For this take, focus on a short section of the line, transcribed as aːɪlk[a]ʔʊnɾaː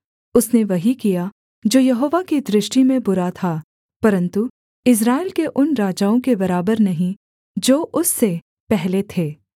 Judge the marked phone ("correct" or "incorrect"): incorrect